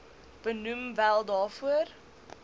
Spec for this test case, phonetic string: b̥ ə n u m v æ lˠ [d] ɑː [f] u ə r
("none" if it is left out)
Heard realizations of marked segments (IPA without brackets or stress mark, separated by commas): d, f